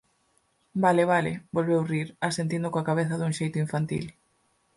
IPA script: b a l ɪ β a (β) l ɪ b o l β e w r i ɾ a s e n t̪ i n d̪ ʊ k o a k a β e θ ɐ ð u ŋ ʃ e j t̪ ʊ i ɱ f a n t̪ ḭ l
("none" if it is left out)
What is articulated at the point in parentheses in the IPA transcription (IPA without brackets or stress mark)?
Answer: none